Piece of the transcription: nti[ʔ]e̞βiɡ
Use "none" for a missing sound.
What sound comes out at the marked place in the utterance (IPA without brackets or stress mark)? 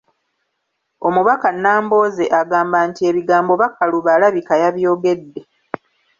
none